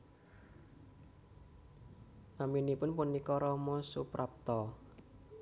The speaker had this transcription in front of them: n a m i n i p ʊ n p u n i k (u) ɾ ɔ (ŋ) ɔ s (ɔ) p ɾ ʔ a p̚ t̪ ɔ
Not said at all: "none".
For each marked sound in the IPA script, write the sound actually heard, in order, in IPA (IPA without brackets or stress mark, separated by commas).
ɔ, m, u